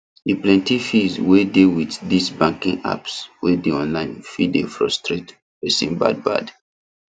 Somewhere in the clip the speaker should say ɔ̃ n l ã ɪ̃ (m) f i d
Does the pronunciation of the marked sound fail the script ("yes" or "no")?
yes